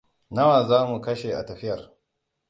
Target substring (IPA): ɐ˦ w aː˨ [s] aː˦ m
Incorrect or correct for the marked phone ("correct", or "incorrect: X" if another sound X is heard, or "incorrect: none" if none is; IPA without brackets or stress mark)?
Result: incorrect: z